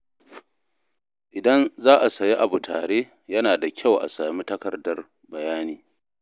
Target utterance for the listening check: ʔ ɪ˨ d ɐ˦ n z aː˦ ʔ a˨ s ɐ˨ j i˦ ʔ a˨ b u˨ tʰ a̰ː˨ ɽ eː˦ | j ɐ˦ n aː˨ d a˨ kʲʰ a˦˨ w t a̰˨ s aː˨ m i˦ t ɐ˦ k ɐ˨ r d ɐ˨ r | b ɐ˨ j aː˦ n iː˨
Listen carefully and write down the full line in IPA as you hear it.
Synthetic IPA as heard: ʔ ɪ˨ d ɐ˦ n z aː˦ ʔ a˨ s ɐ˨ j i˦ ʔ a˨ b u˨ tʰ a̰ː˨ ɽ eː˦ | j ɐ˦ n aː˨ d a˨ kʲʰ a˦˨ w ʔ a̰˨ s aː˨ m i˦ t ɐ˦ k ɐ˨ r d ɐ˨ r | b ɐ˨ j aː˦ n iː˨